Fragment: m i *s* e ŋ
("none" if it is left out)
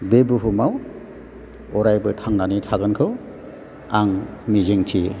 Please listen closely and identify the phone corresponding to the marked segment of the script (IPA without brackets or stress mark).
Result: z